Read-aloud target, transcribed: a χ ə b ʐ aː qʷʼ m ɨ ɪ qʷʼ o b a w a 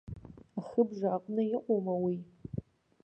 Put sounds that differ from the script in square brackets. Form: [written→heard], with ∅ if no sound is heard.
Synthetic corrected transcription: a χ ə b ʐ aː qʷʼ [m→n] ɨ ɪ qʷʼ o [b→m] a w [a→i]